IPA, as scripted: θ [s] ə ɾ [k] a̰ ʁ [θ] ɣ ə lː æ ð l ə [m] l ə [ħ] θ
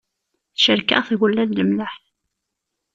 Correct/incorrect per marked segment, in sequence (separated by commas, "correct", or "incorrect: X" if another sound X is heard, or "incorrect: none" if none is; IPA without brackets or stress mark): incorrect: ʃ, correct, correct, correct, correct